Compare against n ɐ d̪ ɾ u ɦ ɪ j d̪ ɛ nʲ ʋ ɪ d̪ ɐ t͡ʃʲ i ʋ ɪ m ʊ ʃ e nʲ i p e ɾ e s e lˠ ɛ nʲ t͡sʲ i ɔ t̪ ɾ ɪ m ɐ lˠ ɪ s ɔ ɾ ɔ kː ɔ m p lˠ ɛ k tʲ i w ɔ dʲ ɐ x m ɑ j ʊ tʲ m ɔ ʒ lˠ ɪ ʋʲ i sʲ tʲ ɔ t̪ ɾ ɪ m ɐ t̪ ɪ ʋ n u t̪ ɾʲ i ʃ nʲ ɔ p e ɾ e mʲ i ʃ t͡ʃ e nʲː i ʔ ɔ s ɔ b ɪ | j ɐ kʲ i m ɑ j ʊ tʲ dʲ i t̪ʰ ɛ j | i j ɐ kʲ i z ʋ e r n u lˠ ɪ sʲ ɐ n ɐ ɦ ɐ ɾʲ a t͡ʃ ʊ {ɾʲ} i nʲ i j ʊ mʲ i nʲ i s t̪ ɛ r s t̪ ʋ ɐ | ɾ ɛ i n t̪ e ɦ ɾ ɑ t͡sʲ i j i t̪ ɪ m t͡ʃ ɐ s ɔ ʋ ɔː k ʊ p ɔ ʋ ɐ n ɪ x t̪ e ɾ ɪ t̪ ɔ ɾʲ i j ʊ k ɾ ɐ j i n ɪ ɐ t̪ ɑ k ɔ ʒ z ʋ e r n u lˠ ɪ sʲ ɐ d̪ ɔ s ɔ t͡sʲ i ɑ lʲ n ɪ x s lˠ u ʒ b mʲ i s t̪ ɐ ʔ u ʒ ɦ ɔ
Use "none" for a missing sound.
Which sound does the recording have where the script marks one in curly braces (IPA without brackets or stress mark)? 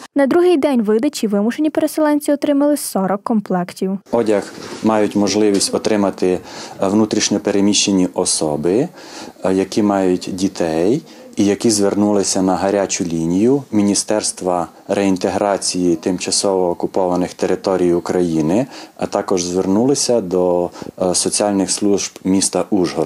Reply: lʲ